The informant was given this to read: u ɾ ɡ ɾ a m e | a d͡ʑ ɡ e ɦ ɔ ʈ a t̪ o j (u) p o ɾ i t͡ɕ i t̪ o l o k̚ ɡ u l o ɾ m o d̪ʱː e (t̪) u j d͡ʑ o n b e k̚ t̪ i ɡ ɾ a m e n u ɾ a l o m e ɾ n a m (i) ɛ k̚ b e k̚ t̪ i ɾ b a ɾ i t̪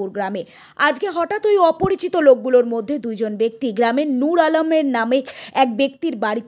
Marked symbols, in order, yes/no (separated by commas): no, no, no